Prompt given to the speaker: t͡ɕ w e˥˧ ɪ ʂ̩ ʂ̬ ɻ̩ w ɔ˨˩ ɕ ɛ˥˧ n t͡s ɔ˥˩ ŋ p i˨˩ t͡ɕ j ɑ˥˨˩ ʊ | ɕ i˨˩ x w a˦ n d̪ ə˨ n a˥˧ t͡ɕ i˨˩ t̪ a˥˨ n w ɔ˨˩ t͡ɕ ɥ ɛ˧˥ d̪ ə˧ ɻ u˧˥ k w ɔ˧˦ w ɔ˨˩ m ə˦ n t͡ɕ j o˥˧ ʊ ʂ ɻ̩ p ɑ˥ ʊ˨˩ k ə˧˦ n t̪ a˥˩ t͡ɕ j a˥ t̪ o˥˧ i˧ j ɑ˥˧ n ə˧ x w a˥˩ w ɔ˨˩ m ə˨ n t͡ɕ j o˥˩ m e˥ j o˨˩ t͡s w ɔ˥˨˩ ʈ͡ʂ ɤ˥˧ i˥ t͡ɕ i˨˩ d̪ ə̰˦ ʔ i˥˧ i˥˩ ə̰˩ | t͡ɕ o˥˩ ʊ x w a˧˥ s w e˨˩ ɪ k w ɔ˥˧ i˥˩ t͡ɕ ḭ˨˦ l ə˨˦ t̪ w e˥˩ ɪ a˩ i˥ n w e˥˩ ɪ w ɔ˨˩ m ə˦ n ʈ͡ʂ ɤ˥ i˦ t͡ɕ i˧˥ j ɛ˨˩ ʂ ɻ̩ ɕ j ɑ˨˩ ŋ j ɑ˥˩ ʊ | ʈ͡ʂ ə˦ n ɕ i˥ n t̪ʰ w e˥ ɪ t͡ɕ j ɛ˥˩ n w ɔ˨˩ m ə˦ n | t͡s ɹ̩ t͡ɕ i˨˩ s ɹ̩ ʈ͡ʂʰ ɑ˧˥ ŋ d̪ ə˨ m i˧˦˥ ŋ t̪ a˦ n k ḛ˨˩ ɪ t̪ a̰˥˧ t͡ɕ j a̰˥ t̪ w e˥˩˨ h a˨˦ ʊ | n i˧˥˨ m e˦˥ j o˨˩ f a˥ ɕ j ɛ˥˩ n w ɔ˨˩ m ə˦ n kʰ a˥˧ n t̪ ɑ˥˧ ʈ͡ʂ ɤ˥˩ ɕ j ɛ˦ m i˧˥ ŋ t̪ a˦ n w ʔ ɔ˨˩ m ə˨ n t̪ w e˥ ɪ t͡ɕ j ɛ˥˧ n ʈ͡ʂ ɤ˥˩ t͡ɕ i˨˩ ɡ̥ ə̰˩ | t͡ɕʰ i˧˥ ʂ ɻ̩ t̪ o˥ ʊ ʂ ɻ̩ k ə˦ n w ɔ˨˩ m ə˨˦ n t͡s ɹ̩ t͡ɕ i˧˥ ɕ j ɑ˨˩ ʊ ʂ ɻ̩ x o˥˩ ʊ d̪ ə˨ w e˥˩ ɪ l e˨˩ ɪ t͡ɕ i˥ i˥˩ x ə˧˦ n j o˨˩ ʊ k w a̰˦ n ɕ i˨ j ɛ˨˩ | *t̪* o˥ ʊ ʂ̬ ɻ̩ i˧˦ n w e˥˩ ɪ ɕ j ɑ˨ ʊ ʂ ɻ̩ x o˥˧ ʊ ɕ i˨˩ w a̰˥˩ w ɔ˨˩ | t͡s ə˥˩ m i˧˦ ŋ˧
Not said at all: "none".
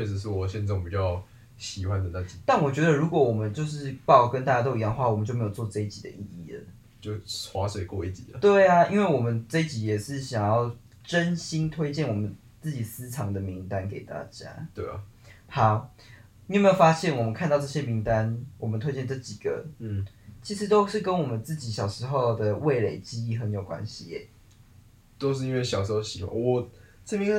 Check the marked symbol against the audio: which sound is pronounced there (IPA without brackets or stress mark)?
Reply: t̪